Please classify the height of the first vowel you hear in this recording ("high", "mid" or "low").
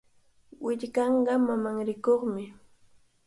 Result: high